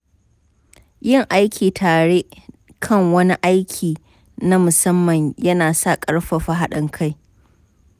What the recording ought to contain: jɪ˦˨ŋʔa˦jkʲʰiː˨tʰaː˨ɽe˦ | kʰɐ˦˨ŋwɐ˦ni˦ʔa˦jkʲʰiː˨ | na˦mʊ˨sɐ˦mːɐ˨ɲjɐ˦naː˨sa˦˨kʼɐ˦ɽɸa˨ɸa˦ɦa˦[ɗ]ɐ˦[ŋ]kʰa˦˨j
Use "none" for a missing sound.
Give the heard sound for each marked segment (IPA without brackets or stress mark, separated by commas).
ɗ, ŋ